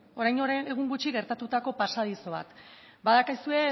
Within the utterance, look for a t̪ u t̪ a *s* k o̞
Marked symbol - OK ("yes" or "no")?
no